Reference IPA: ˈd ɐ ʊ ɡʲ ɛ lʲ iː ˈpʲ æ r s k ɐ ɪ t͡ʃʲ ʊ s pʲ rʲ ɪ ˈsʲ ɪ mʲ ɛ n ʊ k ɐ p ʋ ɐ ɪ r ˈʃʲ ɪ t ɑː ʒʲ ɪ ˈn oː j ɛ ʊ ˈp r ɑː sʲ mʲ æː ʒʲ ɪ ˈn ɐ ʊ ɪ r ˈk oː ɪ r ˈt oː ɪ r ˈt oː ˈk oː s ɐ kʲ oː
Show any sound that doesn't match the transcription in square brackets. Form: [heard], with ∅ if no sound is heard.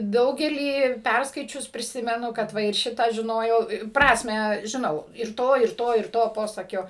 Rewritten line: ˈd ɐ ʊ ɡʲ ɛ lʲ iː ˈpʲ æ r s k ɐ ɪ t͡ʃʲ ʊ s pʲ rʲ ɪ ˈsʲ ɪ mʲ ɛ n ʊ k ɐ [t] ʋ ɐ ɪ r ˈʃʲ ɪ t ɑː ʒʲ ɪ ˈn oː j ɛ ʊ ˈp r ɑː sʲ mʲ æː ʒʲ ɪ ˈn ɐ ʊ ɪ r [ˈt] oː ɪ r ˈt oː ɪ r ˈt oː [ˈp] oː s ɐ kʲ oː

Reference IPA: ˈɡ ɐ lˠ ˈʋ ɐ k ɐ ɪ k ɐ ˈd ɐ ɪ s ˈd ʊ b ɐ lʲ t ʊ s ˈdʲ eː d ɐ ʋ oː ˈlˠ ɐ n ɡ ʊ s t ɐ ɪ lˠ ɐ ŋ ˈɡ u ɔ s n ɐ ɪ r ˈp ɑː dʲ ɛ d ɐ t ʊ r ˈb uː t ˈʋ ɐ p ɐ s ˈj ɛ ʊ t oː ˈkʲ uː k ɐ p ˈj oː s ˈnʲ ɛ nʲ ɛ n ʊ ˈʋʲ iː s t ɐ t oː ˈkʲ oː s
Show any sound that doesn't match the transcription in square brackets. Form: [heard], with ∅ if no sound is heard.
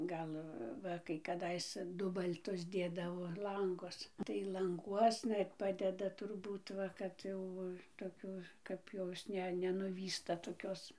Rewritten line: ˈɡ ɐ lˠ ˈʋ ɐ k ɐ ɪ k ɐ ˈd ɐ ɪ s ˈd ʊ b ɐ lʲ t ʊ s ˈdʲ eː d ɐ ʋ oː ˈlˠ ɐ [ŋ] ɡ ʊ s t ɐ ɪ lˠ ɐ ŋ ˈɡ u ɔ s n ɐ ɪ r ˈp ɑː dʲ ɛ d ɐ t ʊ r ˈb uː t ˈʋ ɐ [k] ɐ [t] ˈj ɛ ʊ t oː ˈkʲ uː k ɐ p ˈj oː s ˈnʲ ɛ nʲ ɛ n ʊ ˈʋʲ iː s t ɐ t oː ˈkʲ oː s

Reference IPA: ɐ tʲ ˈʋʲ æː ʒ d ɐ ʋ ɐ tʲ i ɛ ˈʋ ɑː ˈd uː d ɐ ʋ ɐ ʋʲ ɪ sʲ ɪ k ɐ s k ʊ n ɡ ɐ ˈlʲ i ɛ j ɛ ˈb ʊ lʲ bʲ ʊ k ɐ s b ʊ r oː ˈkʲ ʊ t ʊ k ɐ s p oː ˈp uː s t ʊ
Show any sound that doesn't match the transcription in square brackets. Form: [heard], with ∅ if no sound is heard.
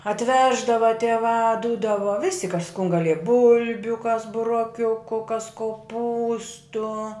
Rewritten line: ɐ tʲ ˈʋʲ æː ʒ d ɐ ʋ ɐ tʲ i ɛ ˈʋ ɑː ˈd uː d ɐ ʋ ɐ ʋʲ ɪ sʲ ɪ k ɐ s k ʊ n ɡ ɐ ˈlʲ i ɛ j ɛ ˈb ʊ lʲ bʲ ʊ k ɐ s b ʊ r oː ˈkʲ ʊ [k] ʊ k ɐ s [k] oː ˈp uː s t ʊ

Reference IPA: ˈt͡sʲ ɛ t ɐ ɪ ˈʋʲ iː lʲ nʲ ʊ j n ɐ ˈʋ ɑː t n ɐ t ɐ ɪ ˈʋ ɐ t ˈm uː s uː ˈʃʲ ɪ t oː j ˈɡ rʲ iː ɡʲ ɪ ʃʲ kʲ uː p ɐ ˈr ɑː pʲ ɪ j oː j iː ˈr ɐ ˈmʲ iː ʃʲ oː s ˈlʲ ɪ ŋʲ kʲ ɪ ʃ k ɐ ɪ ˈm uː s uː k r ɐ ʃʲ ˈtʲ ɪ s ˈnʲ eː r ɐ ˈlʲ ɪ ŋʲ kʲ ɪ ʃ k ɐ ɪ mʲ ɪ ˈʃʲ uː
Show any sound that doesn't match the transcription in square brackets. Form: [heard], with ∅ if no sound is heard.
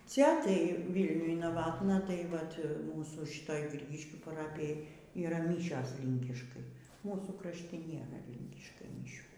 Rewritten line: ˈt͡sʲ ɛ t ɐ ɪ ˈʋʲ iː lʲ nʲ ʊ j n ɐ ˈʋ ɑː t n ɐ t ɐ ɪ ˈʋ ɐ t ˈm uː s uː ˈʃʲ ɪ t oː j ˈɡ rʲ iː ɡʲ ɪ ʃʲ kʲ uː p ɐ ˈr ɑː pʲ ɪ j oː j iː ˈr ɐ ˈmʲ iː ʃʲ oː s ˈlʲ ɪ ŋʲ kʲ ɪ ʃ k ɐ ɪ ˈm uː s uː k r ɐ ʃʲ ˈtʲ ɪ [∅] ˈnʲ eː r ɐ ˈlʲ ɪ ŋʲ kʲ ɪ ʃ k ɐ ɪ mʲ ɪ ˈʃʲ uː

